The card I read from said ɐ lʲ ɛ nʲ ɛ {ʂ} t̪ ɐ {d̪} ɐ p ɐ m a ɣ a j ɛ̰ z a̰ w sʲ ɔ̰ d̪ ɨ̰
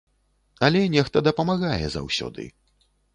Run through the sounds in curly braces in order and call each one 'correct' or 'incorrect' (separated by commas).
incorrect, correct